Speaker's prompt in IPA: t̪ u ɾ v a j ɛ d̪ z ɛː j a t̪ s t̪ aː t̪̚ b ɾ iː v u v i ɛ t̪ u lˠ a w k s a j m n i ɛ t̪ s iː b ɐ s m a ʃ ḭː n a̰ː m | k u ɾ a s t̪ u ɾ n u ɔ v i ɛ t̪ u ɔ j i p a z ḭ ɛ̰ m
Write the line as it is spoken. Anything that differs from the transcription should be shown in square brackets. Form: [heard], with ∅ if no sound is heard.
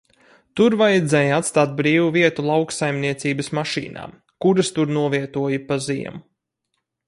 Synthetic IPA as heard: t̪ u ɾ v a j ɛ d̪ z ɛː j a t̪ s t̪ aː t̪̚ b ɾ iː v u v i ɛ t̪ u lˠ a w k s a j m n i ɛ t̪ s iː b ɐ s m a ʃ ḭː n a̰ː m | k u ɾ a s t̪ u ɾ n u ɔ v i ɛ t̪ u ɔ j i p a z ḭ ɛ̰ m